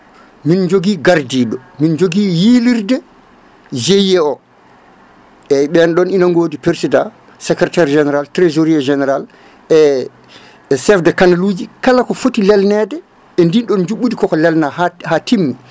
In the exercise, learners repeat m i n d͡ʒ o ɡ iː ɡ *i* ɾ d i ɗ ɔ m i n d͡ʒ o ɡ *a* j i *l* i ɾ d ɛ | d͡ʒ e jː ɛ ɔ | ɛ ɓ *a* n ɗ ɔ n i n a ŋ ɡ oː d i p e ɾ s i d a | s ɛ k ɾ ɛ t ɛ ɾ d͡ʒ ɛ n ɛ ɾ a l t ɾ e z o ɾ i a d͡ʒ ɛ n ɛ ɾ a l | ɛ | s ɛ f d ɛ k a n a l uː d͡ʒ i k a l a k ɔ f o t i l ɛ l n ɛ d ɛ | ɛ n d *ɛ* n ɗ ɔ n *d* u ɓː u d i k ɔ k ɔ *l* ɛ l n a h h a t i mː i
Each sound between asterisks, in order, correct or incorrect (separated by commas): incorrect, incorrect, correct, incorrect, incorrect, incorrect, correct